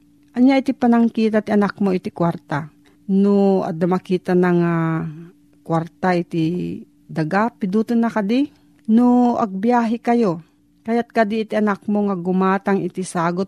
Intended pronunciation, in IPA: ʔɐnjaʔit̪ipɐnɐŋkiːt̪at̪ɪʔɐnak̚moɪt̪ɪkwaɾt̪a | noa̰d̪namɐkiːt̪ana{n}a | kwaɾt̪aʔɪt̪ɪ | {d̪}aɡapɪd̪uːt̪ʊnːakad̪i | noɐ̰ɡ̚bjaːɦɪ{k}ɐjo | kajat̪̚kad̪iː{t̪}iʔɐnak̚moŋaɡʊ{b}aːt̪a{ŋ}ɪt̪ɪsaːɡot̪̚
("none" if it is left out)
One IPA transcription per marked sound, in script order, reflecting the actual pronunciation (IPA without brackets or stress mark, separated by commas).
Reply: ŋ, d̪, k, t̪, m, ŋ